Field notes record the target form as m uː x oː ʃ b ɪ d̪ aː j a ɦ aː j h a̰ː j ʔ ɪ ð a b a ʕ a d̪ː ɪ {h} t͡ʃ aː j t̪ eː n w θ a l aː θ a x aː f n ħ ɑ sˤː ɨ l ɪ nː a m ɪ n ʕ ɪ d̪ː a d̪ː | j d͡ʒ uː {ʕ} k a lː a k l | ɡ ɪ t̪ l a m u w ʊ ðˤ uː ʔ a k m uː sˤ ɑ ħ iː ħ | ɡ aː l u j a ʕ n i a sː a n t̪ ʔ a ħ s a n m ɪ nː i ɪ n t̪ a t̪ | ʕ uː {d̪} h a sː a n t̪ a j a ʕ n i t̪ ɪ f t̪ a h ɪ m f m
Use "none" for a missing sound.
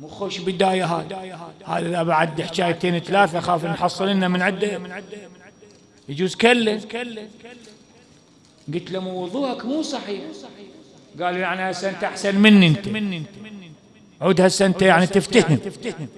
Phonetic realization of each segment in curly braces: ħ, z, d̪

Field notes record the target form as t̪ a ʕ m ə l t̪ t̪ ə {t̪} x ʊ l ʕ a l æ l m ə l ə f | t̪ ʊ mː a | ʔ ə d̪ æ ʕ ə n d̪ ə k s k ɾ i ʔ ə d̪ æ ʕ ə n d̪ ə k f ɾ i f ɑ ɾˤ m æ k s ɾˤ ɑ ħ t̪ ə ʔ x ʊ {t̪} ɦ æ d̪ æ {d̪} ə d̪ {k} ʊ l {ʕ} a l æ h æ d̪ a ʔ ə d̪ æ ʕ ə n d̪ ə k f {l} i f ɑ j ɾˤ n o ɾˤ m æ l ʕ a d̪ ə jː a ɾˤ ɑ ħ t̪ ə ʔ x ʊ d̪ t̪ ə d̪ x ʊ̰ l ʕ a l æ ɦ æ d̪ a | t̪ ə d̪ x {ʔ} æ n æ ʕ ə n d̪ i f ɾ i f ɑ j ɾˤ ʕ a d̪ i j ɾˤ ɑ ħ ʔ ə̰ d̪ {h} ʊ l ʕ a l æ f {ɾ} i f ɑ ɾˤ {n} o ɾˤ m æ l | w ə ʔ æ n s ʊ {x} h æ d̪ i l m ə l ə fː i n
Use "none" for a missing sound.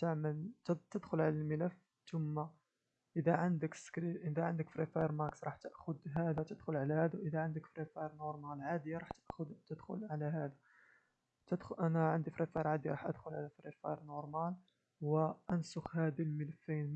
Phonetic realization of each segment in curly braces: d̪, d̪, t̪, x, ʕ, ɾ, ʔ, x, ɾ, n, x

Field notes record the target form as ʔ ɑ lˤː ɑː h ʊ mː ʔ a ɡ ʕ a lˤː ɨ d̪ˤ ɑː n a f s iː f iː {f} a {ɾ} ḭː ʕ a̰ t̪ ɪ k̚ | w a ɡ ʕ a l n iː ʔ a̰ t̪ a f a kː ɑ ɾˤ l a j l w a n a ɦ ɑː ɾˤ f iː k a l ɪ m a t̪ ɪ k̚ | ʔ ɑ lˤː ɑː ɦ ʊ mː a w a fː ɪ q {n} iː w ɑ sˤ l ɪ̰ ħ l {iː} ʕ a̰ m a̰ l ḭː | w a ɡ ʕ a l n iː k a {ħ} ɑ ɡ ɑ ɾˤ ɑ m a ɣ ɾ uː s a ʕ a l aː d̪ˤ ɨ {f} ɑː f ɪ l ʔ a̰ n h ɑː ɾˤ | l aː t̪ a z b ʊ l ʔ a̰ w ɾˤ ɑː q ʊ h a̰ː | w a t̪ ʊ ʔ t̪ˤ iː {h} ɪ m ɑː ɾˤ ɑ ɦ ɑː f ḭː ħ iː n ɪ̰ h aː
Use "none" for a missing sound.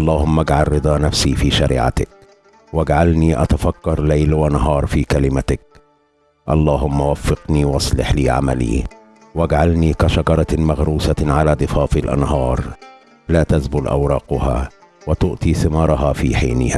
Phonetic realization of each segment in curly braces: ʃ, ɾ, n, iː, ʃ, f, θ

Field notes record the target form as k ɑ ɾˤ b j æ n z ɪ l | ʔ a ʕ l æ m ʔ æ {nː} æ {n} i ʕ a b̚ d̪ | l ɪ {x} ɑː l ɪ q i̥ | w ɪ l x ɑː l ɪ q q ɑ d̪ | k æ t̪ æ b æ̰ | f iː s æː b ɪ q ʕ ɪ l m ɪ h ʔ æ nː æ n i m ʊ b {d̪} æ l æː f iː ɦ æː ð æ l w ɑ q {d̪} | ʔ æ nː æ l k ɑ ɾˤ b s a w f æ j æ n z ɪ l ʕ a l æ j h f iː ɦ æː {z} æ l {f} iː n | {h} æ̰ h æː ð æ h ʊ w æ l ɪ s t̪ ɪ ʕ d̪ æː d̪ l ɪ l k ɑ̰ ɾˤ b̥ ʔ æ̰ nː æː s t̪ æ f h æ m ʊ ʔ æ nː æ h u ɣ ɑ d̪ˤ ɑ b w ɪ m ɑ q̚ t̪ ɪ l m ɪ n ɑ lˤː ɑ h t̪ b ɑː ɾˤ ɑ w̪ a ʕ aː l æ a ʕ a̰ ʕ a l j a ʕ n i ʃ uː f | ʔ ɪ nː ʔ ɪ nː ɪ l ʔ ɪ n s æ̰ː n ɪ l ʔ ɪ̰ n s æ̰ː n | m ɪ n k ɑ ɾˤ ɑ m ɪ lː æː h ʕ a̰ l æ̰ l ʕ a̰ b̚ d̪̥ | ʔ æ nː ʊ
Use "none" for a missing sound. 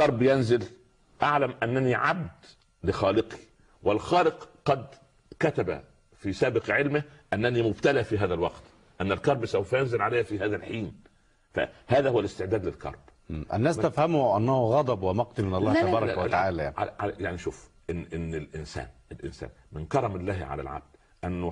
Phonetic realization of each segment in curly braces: nː, n, x, t̪, t̪, ð, ħ, f

